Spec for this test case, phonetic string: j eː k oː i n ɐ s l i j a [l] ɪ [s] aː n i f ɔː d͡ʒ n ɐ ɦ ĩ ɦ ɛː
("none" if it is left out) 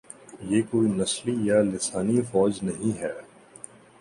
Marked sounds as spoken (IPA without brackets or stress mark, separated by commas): l, s